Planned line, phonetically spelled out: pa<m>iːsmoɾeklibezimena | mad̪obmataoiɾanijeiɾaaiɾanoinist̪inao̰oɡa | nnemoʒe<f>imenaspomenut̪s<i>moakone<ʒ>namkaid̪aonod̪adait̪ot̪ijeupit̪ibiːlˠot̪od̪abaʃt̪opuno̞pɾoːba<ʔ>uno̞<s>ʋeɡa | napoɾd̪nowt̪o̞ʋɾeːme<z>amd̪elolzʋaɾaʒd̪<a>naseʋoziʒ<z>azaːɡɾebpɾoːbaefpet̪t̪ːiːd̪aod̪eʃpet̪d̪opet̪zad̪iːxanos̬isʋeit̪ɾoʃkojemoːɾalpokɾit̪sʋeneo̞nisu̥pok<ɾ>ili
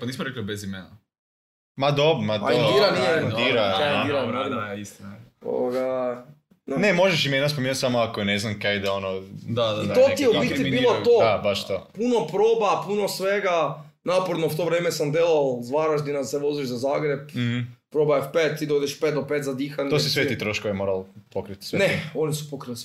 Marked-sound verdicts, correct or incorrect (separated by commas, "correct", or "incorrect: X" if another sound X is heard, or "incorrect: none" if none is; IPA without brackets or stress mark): incorrect: n, incorrect: ʃ, incorrect: a, incorrect: z, incorrect: p, correct, incorrect: s, incorrect: i, correct, correct